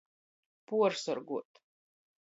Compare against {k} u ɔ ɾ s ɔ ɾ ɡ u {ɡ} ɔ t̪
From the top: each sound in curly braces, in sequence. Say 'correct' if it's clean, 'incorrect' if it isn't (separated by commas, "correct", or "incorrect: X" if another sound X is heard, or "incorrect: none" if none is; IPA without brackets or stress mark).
incorrect: p, incorrect: none